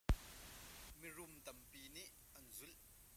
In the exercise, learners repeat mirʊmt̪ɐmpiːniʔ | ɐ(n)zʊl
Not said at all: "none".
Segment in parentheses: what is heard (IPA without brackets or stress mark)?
n